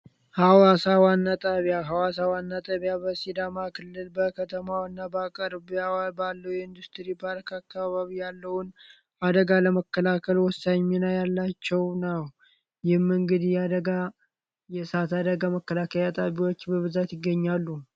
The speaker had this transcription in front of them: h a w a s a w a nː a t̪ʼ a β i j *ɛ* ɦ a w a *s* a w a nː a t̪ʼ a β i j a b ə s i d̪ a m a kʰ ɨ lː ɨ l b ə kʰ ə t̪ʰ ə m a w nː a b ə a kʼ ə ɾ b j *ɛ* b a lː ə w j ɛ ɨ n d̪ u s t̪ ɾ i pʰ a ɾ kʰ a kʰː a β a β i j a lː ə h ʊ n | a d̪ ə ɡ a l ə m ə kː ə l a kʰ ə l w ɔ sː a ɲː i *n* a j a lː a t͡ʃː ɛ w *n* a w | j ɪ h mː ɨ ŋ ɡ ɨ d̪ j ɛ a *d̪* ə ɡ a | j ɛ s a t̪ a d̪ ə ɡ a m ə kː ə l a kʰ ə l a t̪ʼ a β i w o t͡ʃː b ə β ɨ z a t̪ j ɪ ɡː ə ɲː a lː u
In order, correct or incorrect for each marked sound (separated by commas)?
incorrect, correct, incorrect, correct, correct, correct